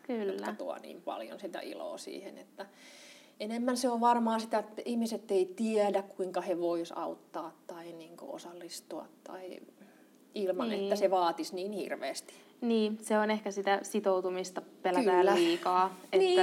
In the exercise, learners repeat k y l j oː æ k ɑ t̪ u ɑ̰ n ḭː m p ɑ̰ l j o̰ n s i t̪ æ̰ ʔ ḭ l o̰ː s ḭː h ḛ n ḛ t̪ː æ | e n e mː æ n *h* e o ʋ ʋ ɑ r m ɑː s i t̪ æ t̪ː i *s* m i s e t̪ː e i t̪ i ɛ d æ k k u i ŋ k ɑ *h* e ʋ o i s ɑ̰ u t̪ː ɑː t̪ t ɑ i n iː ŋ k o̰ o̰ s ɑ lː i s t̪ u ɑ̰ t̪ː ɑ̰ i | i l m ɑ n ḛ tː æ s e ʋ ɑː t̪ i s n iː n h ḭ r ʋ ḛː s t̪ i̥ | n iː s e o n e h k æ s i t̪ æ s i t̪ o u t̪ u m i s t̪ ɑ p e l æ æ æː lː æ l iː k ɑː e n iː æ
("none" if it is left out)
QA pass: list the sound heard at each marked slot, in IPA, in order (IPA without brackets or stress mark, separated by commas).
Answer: s, h, h